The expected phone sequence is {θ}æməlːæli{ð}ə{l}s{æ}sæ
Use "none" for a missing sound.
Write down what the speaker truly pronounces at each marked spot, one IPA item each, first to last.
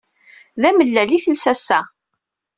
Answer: ð, θ, l, æ

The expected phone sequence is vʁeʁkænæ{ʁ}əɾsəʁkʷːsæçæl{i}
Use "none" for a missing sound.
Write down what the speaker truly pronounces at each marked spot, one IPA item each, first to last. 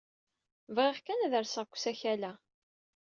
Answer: ð, æ

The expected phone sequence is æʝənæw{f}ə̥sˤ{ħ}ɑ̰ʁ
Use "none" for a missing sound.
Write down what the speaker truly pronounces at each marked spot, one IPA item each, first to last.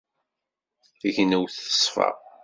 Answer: θ, f

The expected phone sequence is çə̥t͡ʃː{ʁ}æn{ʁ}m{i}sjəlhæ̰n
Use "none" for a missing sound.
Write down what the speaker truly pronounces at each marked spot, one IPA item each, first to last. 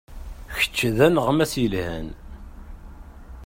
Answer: ð, ʁ, æ

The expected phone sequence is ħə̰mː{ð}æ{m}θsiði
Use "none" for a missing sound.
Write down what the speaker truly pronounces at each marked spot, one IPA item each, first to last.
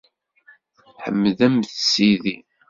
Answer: ð, m

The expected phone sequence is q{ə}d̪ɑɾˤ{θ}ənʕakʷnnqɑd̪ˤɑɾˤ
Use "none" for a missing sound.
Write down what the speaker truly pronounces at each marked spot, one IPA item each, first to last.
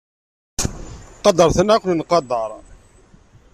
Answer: ɑ, θ

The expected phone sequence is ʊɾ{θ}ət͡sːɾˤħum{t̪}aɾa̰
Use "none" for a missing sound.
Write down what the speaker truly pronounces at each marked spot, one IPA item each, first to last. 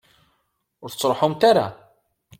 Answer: θ, t̪

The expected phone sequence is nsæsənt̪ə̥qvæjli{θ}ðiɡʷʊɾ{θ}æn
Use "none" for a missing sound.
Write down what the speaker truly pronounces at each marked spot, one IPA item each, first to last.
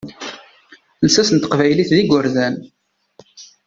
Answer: θ, ð

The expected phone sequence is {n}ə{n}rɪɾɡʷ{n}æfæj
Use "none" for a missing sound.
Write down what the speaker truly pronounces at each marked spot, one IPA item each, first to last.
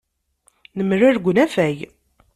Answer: n, m, n

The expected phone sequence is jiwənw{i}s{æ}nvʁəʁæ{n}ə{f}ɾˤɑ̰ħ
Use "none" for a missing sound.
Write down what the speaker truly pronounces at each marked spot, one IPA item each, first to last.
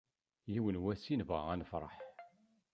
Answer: æ, i, n, f

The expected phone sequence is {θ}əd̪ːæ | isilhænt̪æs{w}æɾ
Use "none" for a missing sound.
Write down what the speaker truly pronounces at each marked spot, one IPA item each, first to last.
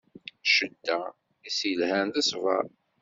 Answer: ʃ, v

